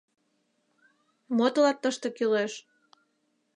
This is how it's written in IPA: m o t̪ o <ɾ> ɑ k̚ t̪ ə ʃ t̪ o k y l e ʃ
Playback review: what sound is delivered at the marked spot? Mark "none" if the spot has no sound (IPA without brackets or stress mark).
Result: l